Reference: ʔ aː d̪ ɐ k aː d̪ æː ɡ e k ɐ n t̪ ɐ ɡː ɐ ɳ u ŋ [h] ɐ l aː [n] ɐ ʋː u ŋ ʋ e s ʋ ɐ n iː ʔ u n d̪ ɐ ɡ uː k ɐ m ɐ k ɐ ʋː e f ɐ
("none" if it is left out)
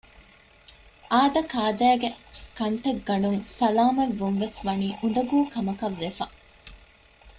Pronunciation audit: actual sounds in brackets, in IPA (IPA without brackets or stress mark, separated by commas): s, m